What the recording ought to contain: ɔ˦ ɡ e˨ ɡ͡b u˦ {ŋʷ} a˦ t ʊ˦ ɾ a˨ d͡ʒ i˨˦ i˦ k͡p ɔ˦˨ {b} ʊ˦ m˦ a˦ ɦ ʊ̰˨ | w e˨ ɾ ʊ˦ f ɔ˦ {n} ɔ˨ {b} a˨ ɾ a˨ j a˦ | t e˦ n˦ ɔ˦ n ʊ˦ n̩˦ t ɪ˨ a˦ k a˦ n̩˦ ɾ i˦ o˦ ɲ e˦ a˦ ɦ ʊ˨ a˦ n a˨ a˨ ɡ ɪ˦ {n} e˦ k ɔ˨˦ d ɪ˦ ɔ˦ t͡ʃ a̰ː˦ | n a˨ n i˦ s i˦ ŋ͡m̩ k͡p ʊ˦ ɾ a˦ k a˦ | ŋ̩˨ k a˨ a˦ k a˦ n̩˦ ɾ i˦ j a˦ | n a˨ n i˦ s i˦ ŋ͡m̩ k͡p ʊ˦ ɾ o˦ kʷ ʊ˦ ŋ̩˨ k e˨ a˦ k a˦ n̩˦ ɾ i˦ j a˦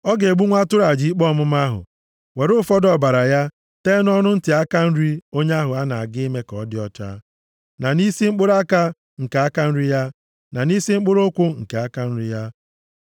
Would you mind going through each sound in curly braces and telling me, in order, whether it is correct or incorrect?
correct, incorrect: m, incorrect: d, correct, incorrect: m

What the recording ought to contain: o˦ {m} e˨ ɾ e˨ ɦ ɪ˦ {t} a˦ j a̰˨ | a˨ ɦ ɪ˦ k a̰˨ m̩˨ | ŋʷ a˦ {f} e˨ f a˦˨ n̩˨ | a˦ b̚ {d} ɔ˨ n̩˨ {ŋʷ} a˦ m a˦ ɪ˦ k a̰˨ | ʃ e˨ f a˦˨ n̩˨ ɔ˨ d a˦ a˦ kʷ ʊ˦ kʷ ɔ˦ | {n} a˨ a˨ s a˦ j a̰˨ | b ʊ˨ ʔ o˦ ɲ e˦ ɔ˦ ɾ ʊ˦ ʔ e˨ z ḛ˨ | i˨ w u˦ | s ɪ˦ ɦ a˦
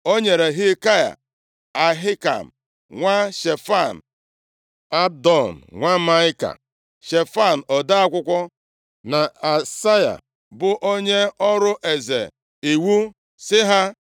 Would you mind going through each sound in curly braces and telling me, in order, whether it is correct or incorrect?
incorrect: ɲ, incorrect: k, incorrect: ʃ, correct, correct, correct

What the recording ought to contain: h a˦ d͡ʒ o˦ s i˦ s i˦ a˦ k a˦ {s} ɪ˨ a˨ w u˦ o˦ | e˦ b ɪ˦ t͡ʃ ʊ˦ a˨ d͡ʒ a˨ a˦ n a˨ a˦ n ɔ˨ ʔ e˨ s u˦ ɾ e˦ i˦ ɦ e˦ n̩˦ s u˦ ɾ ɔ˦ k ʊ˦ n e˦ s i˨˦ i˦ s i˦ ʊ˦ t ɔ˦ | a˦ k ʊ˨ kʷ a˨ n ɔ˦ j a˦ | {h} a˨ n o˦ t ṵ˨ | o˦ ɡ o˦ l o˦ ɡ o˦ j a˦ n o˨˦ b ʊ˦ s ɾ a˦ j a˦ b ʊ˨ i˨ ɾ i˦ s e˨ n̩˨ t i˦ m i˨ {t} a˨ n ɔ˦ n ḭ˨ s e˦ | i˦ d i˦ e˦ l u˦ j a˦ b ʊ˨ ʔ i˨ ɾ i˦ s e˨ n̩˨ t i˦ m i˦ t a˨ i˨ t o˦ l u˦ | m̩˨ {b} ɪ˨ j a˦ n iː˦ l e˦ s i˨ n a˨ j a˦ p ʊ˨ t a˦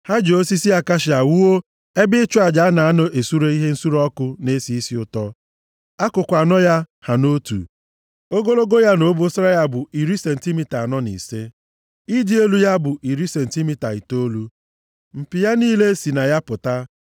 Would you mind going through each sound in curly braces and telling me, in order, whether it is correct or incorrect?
incorrect: ʃ, correct, correct, incorrect: p

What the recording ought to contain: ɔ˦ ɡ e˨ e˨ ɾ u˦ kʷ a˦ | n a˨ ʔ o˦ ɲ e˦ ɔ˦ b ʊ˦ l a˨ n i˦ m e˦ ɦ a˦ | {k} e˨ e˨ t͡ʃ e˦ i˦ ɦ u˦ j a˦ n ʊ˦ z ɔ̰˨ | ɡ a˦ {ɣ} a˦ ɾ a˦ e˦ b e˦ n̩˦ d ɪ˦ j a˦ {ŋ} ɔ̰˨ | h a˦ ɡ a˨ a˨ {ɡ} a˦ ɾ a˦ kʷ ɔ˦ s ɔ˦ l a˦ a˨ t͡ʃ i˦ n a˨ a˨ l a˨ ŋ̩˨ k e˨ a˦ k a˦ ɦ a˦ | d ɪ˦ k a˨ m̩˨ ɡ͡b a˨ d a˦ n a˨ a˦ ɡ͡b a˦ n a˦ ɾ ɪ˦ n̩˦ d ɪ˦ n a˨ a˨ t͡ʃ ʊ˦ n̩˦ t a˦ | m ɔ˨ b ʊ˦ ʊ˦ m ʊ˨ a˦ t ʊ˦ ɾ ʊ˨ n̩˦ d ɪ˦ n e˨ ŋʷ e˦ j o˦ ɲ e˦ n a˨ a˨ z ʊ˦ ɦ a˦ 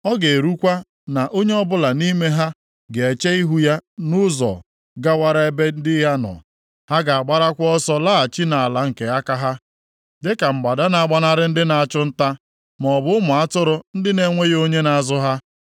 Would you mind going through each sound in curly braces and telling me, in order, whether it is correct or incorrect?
incorrect: ɡ, incorrect: w, incorrect: n, incorrect: ɡ͡b

